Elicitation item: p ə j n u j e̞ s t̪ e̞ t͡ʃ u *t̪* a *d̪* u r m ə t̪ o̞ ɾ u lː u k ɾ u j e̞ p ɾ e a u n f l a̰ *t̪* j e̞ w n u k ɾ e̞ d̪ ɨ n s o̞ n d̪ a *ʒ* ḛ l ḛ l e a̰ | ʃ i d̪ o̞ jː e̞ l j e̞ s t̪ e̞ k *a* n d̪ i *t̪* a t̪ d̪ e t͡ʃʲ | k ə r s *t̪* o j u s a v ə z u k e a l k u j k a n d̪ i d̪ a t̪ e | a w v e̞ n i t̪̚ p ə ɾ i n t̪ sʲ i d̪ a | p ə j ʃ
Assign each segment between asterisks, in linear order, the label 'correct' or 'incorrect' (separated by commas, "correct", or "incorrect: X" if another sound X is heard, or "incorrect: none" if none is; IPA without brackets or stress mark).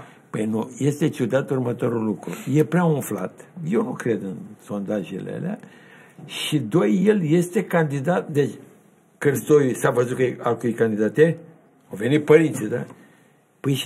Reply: incorrect: d̪, incorrect: t̪, correct, correct, correct, incorrect: d̪, correct